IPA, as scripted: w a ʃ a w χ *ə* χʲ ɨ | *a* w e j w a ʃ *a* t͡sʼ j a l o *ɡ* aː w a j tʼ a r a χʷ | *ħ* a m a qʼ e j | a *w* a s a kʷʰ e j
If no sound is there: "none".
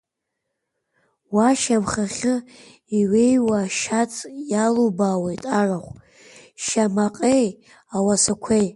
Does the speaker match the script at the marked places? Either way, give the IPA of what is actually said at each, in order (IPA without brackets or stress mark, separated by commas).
a, i, a, b, ʃ, w